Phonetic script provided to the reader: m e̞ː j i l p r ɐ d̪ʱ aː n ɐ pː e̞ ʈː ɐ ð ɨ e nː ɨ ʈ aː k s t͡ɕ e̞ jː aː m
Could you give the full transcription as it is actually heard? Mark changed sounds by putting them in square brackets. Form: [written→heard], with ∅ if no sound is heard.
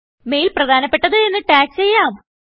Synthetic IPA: m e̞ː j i l p r ɐ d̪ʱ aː n ɐ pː e̞ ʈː ɐ ð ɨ e nː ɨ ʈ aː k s t͡ɕ e̞ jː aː m